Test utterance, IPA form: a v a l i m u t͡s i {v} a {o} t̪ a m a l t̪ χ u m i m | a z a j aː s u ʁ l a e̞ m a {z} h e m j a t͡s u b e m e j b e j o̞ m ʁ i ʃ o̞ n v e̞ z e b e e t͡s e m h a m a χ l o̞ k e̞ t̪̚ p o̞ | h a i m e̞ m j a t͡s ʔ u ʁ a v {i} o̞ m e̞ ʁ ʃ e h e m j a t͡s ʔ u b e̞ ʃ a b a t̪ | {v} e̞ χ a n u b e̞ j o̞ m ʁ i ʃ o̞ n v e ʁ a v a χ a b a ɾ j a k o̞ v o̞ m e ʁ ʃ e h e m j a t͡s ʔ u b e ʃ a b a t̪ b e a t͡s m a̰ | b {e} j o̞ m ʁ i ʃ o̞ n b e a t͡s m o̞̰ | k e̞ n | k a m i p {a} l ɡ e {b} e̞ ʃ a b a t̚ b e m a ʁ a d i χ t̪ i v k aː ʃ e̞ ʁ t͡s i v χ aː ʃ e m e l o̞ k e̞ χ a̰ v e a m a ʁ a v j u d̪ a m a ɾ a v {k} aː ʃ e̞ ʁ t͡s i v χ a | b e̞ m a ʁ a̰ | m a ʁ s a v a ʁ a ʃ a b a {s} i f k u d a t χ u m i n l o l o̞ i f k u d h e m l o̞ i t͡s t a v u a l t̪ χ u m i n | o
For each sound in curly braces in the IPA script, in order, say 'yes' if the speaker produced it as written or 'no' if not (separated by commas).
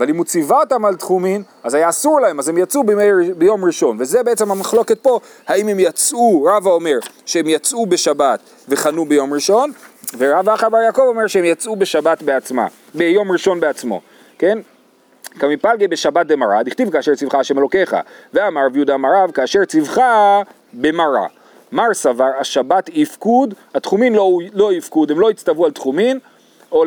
yes, yes, yes, no, yes, yes, yes, yes, yes, no